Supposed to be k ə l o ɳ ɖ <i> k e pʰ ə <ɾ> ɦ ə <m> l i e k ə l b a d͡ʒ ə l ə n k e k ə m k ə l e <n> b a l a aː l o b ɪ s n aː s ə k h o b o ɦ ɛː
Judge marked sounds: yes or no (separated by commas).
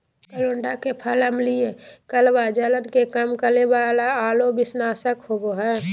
no, no, yes, no